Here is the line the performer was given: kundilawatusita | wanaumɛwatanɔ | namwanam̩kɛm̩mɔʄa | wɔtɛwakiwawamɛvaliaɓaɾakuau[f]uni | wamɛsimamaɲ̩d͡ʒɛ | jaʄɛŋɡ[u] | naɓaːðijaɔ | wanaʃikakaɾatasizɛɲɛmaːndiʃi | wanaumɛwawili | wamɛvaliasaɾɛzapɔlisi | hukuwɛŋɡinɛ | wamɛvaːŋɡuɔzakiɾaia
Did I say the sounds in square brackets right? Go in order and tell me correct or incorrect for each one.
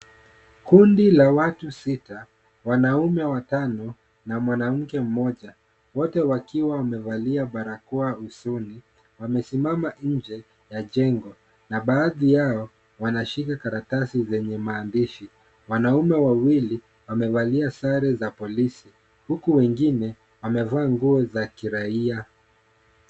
incorrect: s, incorrect: ɔ

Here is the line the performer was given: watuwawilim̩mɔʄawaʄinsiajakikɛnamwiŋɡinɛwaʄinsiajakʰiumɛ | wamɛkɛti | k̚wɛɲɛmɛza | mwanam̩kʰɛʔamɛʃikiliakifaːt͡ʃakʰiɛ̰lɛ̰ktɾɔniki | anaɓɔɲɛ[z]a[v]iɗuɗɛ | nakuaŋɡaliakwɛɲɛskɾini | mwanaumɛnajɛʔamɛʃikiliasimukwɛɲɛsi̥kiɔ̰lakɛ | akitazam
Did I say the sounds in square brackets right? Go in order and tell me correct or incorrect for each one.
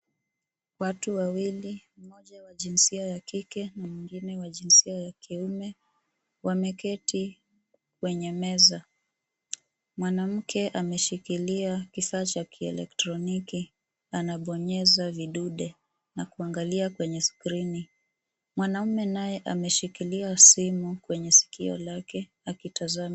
correct, correct

